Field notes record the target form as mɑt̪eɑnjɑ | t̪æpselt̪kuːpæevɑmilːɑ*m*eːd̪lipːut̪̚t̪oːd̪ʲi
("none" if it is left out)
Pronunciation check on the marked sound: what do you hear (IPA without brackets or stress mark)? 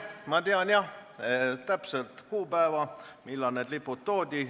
n